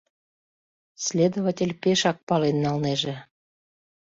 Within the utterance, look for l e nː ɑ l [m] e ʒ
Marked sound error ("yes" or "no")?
yes